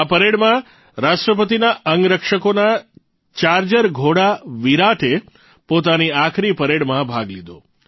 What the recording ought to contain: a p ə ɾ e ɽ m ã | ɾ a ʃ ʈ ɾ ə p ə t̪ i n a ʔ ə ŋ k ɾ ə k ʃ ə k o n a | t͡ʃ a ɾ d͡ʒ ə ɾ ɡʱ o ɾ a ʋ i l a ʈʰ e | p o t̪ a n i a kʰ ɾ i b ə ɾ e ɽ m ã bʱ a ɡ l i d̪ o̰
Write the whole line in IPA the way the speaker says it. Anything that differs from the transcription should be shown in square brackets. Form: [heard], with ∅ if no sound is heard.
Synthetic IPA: a p ə ɾ e ɽ m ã | ɾ a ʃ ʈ ɾ ə p ə t̪ i n a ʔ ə ŋ [ɡ] ɾ ə k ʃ ə k o n a | t͡ʃ a ɾ d͡ʒ ə ɾ ɡʱ o [ɽ] a ʋ i [ɾ] a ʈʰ e | p o t̪ a n i a kʰ ɾ i [p] ə ɾ e ɽ m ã bʱ a ɡ l i d̪ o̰